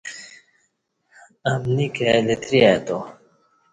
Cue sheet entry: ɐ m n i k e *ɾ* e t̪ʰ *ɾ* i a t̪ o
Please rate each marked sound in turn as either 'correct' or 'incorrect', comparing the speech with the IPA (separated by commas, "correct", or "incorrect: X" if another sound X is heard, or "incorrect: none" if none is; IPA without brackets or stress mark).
incorrect: l, correct